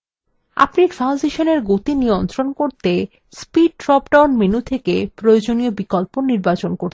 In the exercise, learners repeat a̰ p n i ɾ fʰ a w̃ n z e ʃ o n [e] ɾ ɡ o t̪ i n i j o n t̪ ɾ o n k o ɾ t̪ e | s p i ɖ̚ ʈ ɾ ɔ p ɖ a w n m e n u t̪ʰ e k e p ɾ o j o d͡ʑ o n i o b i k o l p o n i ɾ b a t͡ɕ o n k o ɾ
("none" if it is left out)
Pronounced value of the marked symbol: e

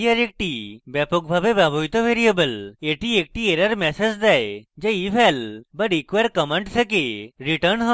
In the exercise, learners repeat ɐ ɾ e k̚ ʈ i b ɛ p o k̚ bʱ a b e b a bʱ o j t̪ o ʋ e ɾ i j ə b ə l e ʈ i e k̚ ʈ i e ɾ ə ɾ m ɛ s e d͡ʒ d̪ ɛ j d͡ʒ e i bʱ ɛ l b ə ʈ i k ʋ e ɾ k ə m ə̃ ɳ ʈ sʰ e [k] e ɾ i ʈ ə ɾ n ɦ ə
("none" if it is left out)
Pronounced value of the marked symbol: k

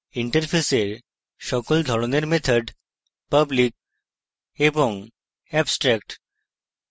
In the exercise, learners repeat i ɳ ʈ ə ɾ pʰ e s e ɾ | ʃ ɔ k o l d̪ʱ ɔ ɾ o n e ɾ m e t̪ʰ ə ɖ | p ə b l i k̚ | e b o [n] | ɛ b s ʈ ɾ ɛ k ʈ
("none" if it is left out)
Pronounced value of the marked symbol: ŋ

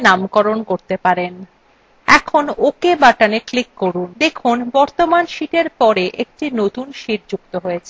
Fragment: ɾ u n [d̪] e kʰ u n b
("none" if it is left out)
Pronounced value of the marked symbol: d̪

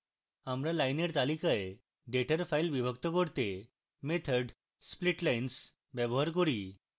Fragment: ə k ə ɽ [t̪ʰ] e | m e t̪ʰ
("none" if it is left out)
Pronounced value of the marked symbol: t̪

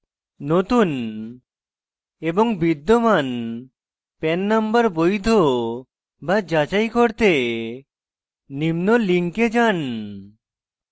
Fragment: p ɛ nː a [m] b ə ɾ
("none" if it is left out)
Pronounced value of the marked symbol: m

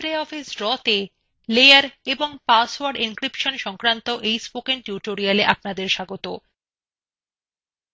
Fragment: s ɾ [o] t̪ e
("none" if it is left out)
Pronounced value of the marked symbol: ɔ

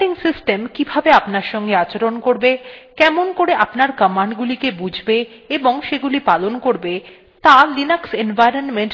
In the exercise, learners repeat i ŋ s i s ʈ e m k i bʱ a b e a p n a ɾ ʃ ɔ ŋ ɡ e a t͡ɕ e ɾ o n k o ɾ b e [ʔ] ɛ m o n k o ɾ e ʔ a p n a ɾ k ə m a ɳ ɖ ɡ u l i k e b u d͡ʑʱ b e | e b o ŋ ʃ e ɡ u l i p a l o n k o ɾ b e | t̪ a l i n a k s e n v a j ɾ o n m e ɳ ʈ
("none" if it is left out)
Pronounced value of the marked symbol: k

